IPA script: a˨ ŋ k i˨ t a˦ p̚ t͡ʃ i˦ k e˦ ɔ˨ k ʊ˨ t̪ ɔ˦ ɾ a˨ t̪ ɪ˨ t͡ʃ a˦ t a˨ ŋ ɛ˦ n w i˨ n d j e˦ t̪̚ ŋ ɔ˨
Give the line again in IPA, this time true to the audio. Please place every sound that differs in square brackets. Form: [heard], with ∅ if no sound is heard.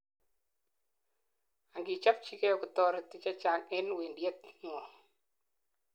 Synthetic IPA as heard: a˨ ŋ [ɡ] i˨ [t͡ʃ] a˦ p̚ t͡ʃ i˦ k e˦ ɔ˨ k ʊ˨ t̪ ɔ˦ ɾ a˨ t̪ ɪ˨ t͡ʃ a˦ [t͡ʃ] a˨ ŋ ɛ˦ n w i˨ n d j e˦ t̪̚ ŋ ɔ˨